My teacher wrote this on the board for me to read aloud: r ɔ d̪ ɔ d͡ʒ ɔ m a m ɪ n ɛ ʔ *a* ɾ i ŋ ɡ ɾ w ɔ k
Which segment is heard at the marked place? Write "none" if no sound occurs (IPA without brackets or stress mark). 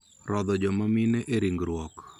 e